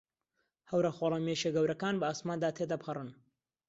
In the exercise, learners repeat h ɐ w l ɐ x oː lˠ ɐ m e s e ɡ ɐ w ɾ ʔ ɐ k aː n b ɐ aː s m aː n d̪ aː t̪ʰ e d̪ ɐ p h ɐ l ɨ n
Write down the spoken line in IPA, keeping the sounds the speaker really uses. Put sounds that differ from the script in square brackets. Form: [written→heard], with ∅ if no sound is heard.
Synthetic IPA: h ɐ w [l→ɾ] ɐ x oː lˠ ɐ m e [s→ʃ] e ɡ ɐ w ɾ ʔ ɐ k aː n b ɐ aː s m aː n d̪ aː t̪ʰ e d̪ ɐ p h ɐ [l→r] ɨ n